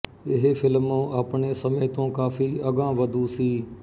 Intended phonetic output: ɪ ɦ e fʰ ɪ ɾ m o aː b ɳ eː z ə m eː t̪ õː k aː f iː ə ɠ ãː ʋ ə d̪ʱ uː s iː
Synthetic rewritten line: ɪ ɦ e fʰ ɪ l m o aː p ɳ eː s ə m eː t̪ õː k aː f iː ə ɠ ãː ʋ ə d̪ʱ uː s iː